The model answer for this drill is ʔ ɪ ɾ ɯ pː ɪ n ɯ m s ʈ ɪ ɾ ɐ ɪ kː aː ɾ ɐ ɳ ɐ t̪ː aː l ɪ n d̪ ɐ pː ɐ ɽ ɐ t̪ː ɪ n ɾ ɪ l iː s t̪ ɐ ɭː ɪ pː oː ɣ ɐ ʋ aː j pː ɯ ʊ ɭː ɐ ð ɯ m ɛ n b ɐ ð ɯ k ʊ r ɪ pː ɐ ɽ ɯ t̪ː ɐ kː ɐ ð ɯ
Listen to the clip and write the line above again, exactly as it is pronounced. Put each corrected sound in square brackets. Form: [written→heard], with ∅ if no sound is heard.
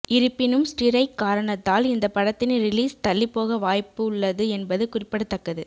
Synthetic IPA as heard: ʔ ɪ ɾ ɯ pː ɪ n ɯ m s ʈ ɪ ɾ ɐ ɪ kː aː ɾ ɐ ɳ ɐ t̪ː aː l ɪ n d̪ ɐ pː ɐ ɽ ɐ t̪ː ɪ n ɾ ɪ l iː s t̪ ɐ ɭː ɪ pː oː ɣ ɐ ʋ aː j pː ɯ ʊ ɭː ɐ ð ɯ [m→∅] ɛ n b ɐ ð ɯ k ʊ r ɪ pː ɐ ɽ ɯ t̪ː ɐ kː ɐ ð ɯ